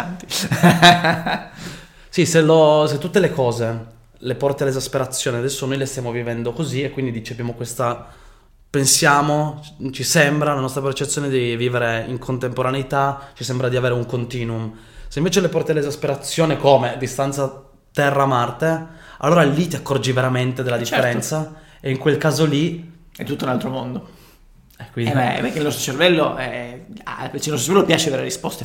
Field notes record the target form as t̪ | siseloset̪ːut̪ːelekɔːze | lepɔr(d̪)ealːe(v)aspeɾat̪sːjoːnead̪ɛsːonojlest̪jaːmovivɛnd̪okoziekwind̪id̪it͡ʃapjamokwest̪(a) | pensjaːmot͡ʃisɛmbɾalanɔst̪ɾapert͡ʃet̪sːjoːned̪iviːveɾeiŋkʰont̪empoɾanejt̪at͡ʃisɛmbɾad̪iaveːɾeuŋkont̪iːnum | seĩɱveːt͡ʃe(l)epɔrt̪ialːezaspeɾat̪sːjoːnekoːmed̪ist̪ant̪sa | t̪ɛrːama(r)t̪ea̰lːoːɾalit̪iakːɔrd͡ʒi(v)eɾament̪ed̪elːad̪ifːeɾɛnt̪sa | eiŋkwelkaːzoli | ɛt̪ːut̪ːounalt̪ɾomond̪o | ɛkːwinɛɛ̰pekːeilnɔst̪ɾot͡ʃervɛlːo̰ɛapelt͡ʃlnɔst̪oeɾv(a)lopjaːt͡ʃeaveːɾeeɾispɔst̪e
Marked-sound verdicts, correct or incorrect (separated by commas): incorrect, incorrect, correct, correct, correct, correct, incorrect